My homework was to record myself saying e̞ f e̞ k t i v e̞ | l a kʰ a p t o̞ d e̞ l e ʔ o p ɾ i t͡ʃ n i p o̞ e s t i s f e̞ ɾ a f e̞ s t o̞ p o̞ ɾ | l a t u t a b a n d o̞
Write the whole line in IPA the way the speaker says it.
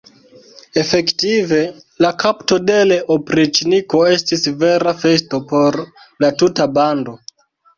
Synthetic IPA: e̞ f e̞ k t i v e̞ | l a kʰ a p t o̞ d e̞ l e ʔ o p ɾ i t͡ʃ n i k o̞ e s t i s v e̞ ɾ a f e̞ s t o̞ p o̞ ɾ | l a t u t a b a n d o̞